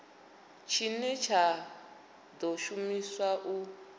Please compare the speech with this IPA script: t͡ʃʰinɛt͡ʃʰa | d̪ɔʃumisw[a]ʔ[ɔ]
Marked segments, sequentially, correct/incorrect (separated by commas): correct, incorrect